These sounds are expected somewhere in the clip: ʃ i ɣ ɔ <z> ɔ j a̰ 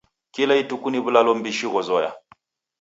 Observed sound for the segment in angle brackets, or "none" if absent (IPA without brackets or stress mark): z